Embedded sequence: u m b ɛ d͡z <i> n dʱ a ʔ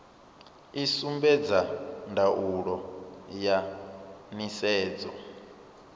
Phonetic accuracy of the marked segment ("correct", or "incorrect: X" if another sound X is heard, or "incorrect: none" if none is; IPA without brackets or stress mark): incorrect: a